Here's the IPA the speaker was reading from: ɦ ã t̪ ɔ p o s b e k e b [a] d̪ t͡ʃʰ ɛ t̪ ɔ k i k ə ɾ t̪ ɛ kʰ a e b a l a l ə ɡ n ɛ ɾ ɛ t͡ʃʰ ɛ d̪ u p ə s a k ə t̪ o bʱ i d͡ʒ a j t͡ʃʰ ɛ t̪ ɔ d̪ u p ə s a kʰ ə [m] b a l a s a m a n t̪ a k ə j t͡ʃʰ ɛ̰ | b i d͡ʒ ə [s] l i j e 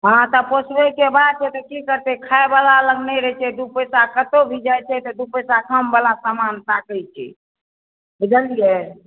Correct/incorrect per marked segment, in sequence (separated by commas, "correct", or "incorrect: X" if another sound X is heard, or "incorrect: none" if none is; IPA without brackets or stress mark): correct, correct, incorrect: none